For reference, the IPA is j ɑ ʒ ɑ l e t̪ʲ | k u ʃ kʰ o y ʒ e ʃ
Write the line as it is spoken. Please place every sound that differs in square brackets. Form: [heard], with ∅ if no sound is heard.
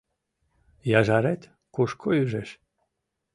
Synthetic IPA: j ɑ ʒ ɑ [ɾ] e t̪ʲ | k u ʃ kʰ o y ʒ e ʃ